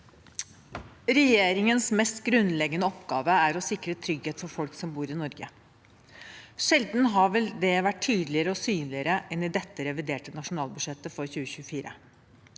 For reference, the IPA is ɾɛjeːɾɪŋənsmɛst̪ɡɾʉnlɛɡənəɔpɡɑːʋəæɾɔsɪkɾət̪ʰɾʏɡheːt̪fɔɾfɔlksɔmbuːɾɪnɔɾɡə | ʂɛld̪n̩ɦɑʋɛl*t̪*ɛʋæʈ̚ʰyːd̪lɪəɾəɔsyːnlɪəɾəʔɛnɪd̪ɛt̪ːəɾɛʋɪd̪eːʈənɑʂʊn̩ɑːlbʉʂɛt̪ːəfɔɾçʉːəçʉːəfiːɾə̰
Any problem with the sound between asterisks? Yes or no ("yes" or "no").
yes